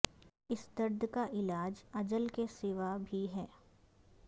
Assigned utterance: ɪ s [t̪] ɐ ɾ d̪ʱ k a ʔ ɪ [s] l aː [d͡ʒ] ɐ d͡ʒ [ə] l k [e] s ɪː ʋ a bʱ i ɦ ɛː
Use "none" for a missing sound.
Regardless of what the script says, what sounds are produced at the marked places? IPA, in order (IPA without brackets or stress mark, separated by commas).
d̪, none, d͡ʒ, ə, e